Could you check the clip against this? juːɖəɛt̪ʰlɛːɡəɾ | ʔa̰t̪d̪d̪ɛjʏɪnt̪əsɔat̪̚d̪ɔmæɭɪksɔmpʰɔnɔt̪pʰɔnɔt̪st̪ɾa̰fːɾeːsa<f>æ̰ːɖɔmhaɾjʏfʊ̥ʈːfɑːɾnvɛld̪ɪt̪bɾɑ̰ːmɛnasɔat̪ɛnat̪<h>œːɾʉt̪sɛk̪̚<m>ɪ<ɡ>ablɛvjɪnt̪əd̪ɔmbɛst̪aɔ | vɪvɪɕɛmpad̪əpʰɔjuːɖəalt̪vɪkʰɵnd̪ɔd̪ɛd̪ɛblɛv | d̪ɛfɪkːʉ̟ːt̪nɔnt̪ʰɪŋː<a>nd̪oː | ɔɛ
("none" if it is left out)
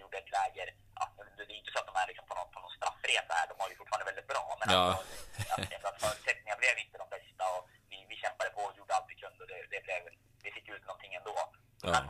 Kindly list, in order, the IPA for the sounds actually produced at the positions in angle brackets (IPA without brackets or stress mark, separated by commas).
h, f, n, ŋ, ɛ